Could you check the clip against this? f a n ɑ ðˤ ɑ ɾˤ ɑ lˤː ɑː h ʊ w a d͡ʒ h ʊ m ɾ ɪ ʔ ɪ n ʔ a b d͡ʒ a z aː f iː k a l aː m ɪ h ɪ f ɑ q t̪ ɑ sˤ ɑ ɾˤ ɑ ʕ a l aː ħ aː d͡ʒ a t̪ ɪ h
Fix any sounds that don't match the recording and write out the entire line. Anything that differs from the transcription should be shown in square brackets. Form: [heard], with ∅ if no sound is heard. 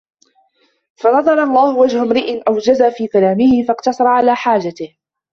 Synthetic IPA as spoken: f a n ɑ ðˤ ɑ ɾˤ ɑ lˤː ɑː h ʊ w a d͡ʒ h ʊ m ɾ ɪ ʔ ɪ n ʔ a [w] d͡ʒ a z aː f iː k a l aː m ɪ h ɪ f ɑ q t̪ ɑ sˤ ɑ ɾˤ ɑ ʕ a l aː ħ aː d͡ʒ a t̪ ɪ h